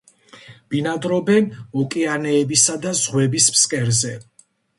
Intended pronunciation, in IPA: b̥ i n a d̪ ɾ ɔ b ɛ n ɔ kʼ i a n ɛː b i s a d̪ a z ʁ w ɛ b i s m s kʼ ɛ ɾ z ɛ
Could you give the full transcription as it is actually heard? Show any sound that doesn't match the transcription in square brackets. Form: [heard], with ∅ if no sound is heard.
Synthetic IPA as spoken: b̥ i n a d̪ ɾ ɔ b ɛ n ɔ kʼ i a n ɛː b i s a d̪ a z ʁ w ɛ b i s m s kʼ ɛ ɾ z ɛ